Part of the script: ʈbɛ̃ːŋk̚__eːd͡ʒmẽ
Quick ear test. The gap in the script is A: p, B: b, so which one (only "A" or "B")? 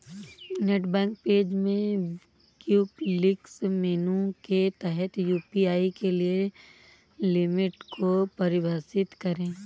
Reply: A